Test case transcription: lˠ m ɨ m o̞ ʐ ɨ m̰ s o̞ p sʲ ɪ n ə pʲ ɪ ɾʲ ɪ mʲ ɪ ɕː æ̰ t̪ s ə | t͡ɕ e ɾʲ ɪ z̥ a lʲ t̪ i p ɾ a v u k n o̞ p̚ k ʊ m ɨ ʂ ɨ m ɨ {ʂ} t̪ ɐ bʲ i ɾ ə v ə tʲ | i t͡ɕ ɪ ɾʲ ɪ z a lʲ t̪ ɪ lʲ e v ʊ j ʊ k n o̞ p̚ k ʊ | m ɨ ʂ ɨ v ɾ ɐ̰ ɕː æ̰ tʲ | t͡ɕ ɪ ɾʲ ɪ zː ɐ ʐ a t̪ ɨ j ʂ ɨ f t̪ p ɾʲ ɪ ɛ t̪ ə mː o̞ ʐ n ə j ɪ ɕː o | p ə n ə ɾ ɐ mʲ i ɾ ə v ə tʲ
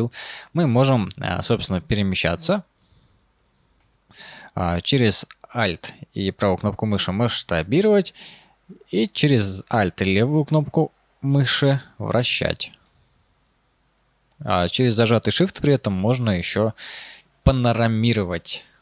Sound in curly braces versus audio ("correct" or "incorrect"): correct